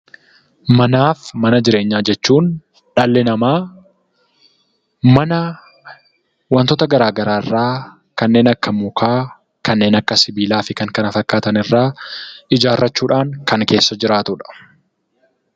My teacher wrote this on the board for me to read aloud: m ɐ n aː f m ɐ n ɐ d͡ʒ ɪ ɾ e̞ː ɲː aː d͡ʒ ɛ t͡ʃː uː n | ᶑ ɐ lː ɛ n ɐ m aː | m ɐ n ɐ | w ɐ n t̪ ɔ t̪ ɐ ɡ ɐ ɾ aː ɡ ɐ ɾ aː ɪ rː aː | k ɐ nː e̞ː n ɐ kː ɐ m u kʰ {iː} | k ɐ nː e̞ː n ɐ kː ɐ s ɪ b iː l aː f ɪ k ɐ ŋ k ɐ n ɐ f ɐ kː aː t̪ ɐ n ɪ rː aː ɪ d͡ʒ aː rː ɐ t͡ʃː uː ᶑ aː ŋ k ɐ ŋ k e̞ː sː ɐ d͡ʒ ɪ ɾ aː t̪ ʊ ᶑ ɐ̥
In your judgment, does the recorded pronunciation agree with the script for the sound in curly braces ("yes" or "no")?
no